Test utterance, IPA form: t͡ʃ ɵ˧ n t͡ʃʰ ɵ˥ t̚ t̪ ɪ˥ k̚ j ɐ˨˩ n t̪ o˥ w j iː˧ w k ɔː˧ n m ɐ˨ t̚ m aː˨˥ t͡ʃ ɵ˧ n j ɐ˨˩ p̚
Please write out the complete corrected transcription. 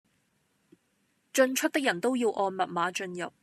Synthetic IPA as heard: t͡ʃ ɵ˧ n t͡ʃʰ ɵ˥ t̚ t̪ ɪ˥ k̚ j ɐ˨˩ n t̪ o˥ w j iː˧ w ʔ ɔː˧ n m ɐ˨ t̚ m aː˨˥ t͡ʃ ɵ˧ n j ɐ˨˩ p̚